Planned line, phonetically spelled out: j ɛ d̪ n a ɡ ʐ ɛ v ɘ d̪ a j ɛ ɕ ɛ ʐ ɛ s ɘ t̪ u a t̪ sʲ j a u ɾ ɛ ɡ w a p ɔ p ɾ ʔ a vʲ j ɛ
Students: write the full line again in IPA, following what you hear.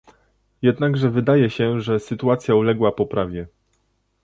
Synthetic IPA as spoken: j ɛ d̪ n a ɡ ʐ ɛ v ɘ d̪ a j ɛ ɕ ɛ ʐ ɛ s ɘ t̪ u a t̪ sʲ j a u l ɛ ɡ w a p ɔ p ɾ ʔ a vʲ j ɛ